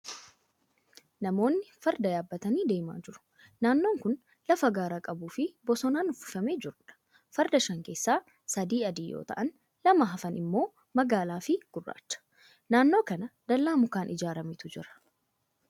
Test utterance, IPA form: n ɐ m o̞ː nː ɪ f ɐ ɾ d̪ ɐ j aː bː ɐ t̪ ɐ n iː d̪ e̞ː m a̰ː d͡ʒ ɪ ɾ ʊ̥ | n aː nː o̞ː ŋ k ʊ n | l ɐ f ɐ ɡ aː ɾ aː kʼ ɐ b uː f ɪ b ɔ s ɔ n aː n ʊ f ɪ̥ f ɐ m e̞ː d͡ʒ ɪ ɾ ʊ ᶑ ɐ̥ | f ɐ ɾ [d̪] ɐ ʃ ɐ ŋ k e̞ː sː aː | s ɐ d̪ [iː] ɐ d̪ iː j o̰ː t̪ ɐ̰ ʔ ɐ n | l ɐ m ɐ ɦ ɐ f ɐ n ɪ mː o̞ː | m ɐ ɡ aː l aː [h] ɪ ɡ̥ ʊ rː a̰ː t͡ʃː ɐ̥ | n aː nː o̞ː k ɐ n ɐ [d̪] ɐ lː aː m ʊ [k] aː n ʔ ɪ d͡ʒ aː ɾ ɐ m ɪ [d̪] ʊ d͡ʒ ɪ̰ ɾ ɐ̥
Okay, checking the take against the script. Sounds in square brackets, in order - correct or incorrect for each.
correct, correct, incorrect: f, correct, correct, incorrect: t̪

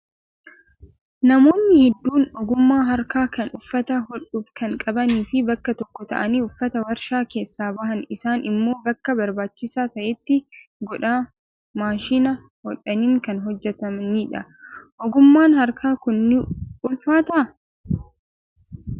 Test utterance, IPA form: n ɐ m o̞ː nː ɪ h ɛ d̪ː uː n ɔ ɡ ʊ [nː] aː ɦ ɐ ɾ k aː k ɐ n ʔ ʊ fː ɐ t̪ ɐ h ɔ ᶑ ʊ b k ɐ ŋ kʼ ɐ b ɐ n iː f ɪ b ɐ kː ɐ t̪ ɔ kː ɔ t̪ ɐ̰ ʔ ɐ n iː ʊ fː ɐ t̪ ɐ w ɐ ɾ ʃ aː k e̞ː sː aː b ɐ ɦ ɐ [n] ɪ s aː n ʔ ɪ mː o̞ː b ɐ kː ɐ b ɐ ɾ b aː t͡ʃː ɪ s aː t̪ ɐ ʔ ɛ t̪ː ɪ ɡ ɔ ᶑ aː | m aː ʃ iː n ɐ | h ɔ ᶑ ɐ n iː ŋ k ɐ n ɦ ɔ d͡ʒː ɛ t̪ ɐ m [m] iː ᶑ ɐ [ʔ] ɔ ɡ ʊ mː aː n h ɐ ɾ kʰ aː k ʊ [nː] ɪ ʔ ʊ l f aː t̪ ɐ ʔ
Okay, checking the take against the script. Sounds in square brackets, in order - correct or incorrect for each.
incorrect: mː, correct, incorrect: n, correct, correct

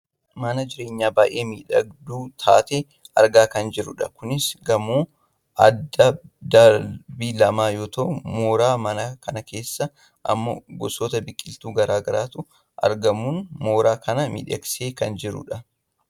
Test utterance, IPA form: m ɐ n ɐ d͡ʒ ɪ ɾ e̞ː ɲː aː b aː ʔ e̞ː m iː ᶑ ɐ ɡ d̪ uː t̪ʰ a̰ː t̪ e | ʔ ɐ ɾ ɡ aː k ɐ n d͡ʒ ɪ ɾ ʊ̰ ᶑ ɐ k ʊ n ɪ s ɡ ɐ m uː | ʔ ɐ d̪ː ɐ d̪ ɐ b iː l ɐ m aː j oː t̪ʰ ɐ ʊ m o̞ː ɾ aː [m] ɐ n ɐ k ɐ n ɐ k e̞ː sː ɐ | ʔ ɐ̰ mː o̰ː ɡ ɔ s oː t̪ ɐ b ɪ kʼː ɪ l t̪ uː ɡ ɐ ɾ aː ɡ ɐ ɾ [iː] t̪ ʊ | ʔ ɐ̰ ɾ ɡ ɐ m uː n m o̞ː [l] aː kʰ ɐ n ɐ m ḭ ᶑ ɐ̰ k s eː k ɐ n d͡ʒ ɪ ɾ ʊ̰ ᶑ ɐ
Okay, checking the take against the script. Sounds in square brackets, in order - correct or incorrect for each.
correct, incorrect: aː, incorrect: ɾ

